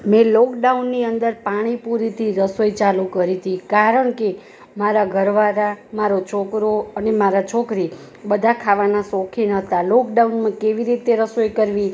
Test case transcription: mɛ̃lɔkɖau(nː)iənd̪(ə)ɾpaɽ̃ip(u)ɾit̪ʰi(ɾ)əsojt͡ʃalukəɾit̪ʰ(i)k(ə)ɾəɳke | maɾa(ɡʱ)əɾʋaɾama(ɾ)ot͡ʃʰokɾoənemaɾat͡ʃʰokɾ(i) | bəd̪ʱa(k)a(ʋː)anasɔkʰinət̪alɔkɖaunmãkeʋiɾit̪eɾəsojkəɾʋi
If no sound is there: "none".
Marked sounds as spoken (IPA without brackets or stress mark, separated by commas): nː, ə, u, ɾ, i, a, ɡʱ, ɾ, i, kʰ, ʋ